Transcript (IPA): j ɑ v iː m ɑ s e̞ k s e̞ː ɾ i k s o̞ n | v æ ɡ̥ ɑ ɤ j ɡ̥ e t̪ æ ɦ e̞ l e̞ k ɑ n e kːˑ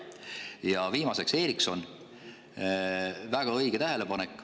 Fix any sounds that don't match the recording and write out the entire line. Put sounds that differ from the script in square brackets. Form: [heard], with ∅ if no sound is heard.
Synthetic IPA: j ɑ v iː m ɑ s e̞ k s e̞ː ɾ i k s o̞ n | v æ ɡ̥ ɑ ɤ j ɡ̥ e t̪ æ ɦ e̞ l e̞ [p] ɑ n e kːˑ